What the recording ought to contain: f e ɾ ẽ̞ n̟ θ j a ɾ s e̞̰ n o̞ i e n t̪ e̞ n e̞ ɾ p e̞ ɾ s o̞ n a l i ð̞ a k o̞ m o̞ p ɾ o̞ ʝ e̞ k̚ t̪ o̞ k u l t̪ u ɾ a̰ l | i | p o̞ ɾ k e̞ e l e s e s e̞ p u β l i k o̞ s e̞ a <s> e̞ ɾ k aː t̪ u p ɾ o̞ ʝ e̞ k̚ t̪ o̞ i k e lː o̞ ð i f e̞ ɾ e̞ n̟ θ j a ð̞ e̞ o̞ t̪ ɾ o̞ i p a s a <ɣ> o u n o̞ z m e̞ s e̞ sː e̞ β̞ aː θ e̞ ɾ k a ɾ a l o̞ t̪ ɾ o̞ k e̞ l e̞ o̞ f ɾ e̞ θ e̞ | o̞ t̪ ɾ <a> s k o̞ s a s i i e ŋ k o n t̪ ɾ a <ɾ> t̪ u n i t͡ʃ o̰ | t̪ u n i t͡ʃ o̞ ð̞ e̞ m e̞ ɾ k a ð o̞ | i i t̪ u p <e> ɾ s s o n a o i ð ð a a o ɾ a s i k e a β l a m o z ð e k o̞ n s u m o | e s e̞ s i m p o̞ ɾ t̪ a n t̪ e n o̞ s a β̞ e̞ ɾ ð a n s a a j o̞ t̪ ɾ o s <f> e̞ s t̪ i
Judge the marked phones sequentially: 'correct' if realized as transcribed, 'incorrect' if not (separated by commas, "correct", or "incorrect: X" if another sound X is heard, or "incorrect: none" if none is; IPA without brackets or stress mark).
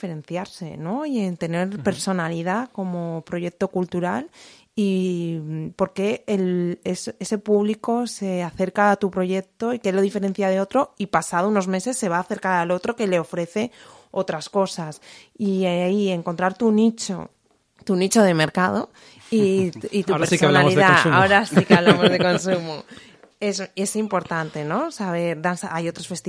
incorrect: θ, incorrect: ð, correct, correct, correct, correct